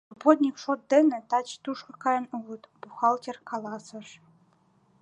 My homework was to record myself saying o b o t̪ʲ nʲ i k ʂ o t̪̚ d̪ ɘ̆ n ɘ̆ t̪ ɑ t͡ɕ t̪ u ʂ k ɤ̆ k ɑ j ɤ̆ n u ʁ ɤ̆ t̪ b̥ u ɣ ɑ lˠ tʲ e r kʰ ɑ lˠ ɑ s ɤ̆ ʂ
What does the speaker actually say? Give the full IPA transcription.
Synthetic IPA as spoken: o b o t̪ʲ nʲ i k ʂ o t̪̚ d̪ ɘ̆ n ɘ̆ t̪ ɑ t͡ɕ t̪ u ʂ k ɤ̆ k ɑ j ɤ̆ n u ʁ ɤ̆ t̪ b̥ u x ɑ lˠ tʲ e r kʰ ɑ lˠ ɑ s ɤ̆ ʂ